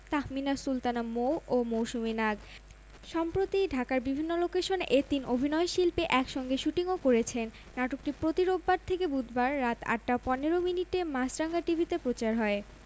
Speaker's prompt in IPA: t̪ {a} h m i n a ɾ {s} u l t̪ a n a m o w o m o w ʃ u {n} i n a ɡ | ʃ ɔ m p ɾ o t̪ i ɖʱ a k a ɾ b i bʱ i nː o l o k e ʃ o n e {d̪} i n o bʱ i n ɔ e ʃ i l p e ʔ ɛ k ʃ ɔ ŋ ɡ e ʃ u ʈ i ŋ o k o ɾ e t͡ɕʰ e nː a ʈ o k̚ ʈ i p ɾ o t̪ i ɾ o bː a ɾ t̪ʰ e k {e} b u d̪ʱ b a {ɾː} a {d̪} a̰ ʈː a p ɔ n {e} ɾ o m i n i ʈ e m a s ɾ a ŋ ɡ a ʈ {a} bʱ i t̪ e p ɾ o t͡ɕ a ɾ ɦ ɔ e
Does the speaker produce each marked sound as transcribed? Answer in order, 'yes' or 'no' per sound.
yes, yes, no, no, yes, yes, no, yes, no

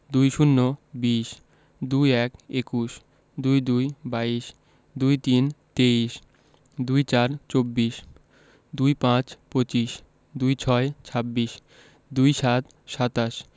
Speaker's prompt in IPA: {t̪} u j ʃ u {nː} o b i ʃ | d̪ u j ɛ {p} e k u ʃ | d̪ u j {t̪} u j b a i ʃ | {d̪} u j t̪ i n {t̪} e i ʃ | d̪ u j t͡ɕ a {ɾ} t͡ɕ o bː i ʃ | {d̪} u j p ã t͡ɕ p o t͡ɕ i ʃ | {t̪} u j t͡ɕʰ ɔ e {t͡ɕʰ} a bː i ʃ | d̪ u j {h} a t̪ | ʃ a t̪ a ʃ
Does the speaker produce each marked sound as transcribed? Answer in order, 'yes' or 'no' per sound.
no, yes, no, no, yes, yes, yes, yes, no, yes, no

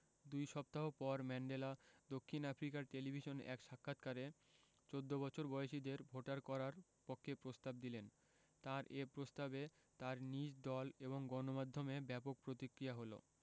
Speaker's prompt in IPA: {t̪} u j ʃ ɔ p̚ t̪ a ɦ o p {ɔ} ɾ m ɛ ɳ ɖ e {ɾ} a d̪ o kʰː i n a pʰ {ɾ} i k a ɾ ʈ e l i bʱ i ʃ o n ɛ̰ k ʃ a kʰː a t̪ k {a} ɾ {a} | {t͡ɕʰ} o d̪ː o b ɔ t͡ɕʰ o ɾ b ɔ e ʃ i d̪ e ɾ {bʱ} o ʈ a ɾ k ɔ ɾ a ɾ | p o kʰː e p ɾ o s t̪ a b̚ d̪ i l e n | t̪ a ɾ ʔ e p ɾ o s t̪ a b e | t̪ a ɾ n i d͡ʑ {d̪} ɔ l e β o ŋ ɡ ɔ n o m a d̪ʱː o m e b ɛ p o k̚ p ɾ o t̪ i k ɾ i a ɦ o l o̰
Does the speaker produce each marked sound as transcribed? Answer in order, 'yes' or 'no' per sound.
no, yes, no, yes, yes, no, no, yes, yes

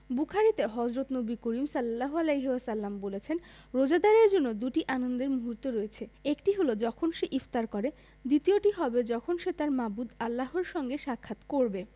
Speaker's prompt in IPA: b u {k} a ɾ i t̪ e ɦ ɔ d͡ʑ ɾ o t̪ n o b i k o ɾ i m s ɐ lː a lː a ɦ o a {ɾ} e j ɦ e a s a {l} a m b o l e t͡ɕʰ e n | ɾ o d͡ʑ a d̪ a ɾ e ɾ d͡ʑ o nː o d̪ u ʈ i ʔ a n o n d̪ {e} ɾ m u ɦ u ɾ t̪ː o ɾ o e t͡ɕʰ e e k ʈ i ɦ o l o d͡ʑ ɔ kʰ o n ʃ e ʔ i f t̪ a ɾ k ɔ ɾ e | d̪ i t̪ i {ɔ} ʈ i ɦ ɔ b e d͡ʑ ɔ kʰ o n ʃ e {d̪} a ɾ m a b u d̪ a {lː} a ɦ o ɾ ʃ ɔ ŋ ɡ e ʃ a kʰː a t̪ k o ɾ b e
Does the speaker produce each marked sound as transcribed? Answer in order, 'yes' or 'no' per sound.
no, no, no, yes, no, no, yes

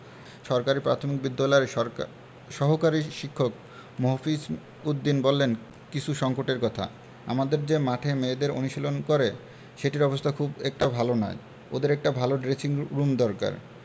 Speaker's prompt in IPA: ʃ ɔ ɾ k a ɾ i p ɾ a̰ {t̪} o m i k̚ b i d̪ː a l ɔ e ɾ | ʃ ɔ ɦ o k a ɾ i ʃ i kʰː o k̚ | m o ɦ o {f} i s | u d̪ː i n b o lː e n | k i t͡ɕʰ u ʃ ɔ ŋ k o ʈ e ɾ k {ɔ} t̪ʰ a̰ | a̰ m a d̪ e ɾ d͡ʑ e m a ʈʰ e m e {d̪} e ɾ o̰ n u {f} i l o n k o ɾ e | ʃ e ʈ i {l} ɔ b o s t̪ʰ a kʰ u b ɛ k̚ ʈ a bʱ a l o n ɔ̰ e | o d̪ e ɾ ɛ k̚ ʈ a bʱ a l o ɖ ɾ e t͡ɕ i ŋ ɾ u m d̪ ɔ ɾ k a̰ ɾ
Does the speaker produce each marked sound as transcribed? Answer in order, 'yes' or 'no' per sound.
no, yes, yes, yes, no, no

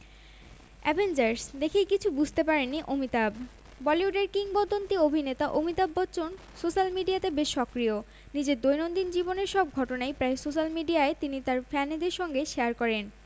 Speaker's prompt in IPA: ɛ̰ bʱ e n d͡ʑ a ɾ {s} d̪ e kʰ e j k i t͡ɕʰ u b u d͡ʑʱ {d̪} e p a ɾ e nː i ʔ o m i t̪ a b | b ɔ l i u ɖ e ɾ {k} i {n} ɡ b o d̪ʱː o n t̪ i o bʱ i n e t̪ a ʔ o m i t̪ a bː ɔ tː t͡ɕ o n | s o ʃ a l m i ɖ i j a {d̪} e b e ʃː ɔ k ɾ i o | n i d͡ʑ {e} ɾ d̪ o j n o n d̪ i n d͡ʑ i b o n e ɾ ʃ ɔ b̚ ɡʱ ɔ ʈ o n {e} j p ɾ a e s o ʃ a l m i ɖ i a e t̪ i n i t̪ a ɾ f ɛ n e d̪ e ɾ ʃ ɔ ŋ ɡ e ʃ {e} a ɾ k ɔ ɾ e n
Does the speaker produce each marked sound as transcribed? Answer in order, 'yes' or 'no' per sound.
yes, no, yes, no, no, yes, no, yes

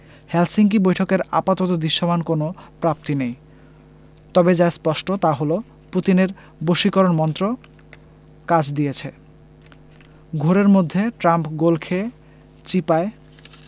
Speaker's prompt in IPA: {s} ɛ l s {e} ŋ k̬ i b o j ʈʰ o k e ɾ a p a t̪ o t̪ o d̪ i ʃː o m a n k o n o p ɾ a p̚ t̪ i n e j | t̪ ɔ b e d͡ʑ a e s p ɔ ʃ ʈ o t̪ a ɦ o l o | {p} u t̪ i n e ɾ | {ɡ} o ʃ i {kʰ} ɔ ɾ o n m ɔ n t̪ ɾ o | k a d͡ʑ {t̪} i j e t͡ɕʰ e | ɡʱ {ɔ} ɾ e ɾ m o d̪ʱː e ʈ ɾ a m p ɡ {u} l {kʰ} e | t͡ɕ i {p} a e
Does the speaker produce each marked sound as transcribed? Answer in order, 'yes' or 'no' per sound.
no, no, yes, no, no, no, no, no, yes, yes

